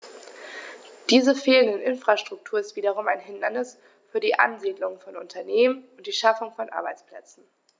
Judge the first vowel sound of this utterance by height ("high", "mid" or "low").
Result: high